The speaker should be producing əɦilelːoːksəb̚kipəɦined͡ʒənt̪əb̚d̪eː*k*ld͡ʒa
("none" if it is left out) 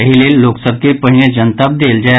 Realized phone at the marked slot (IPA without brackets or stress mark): none